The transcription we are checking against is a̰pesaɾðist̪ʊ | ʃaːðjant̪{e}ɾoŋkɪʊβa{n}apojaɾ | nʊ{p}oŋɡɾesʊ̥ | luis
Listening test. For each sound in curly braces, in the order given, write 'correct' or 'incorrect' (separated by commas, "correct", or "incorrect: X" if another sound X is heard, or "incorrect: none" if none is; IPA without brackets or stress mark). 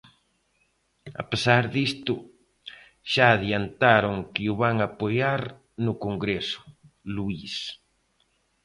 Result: incorrect: a, incorrect: ŋ, incorrect: k